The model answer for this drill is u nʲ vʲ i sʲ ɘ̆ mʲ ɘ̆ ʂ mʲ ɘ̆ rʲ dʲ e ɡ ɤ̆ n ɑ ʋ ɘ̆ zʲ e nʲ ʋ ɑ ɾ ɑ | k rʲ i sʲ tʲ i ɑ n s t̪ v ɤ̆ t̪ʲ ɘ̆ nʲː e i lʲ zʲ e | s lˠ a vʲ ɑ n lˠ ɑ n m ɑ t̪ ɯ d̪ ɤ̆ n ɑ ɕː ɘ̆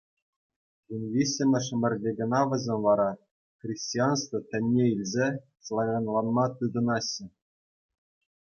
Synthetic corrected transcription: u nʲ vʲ i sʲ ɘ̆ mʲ ɘ̆ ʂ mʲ ɘ̆ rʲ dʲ e ɡ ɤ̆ n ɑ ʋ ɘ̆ zʲ e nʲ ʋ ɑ ɾ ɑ | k rʲ i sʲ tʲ i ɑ n s t̪ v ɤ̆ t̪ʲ ɘ̆ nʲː e i lʲ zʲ e | s lˠ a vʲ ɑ n lˠ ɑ n m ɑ t̪ ɯ d̪ ɤ̆ n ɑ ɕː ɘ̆